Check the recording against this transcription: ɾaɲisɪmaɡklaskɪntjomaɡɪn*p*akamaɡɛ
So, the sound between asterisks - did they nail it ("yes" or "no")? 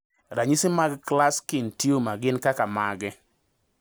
no